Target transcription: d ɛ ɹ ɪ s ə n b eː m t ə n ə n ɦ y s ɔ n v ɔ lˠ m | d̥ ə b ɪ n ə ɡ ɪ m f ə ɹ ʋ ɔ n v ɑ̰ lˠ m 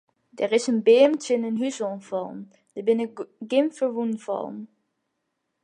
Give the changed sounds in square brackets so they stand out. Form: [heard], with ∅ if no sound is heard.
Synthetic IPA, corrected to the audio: d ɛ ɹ ɪ s ə n b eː m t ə n ə n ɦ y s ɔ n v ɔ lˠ m | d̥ ə b ɪ n ə ɡ ɪ m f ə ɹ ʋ [u] n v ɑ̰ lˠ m